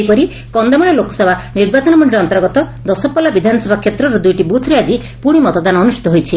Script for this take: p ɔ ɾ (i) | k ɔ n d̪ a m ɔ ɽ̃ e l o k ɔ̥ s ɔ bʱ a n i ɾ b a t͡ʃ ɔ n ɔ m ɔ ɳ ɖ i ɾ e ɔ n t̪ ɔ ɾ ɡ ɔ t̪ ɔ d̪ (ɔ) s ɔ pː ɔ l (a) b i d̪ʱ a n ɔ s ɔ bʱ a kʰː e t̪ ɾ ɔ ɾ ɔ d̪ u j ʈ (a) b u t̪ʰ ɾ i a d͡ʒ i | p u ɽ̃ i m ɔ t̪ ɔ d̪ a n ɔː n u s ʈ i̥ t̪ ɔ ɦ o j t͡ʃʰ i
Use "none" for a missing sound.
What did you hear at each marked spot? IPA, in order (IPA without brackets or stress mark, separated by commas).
i, ɔ, a, i